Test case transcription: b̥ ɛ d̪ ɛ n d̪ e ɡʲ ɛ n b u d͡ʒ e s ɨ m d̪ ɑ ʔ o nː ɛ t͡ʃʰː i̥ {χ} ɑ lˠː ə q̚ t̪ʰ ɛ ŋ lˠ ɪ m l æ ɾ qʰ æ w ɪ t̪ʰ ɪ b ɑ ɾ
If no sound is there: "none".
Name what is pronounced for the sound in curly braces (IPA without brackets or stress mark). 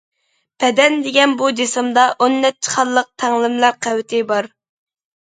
χ